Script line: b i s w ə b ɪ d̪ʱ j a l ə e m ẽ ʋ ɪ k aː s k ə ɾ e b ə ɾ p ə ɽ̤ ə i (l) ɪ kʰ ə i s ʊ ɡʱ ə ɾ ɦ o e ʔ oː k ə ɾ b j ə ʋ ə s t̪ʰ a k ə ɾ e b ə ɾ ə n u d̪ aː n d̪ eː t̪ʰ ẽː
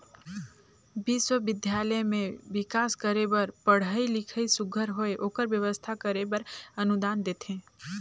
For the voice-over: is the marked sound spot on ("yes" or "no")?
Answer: yes